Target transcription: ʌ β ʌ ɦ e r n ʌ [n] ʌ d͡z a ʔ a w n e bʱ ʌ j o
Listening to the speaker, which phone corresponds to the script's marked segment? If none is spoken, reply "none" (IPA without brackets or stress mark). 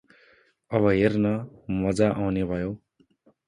m